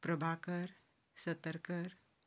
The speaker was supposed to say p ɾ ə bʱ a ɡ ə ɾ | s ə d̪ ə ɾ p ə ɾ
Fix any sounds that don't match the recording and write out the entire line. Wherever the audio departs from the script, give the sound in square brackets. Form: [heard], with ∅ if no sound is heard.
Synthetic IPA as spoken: p ɾ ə bʱ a [k] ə ɾ | s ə [t̪] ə ɾ [k] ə ɾ